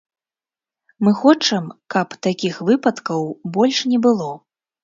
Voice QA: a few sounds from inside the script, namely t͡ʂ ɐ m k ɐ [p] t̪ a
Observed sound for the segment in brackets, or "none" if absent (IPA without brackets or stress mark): p